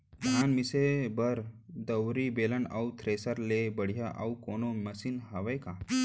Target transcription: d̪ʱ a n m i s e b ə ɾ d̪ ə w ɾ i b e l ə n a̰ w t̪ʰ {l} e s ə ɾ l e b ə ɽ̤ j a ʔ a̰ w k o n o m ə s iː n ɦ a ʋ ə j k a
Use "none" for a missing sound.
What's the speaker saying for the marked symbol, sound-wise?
ɾ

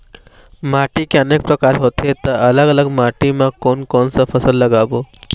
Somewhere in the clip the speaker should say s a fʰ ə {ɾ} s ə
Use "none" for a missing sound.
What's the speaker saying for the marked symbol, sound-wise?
none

